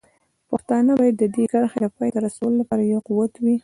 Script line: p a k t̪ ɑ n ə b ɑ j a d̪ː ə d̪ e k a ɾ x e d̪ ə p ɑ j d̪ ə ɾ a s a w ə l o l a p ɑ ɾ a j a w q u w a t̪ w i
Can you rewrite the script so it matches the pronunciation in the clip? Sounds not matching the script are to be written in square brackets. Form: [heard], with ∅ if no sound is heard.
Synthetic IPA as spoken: p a [x] t̪ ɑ n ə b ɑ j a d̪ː ə d̪ e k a ɾ x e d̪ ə p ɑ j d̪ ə ɾ a s a w ə l o l a p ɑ ɾ a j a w q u w a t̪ w i